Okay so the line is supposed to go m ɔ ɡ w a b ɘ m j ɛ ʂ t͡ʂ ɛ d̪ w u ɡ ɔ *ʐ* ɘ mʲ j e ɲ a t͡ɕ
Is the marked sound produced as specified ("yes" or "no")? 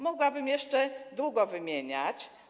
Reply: no